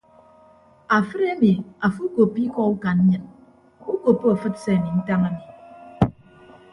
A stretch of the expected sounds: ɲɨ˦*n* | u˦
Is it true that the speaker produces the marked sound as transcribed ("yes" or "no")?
yes